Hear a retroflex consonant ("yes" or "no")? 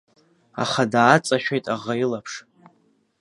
yes